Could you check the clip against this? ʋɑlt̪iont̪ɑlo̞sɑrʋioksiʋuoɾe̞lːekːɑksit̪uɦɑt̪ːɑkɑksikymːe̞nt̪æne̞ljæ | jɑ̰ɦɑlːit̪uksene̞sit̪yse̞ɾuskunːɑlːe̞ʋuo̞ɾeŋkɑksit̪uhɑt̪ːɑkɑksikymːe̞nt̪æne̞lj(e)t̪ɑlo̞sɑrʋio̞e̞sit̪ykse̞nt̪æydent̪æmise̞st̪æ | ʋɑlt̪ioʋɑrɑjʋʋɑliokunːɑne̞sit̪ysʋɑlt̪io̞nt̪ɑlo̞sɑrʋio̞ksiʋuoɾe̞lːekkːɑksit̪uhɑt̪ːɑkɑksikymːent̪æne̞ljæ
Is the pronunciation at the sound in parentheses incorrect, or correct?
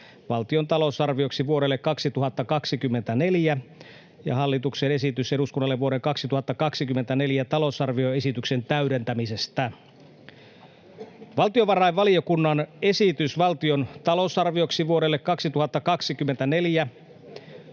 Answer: incorrect